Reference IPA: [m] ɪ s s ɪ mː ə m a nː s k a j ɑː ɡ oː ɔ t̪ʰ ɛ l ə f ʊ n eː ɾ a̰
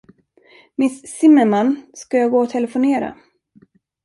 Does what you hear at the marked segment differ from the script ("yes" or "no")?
no